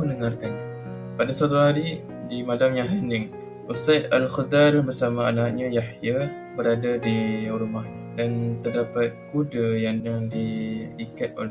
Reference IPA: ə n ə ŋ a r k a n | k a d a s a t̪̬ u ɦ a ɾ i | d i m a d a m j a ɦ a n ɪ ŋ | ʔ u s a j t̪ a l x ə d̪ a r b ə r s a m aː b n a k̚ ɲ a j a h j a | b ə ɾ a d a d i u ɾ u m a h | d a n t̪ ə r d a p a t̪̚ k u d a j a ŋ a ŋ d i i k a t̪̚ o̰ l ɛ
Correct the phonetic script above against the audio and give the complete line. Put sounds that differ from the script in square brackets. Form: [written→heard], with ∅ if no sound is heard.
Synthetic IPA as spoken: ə n ə ŋ a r k a n | [k→p] a d a s a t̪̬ u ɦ a ɾ i | d i m a d a m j a ɦ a n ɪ ŋ | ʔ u s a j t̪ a l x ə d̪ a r b ə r s a m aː [b→∅] n a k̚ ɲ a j a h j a | b ə ɾ a d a d i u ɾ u m a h | d a n t̪ ə r d a p a t̪̚ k u d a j a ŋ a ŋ d i i k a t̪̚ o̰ l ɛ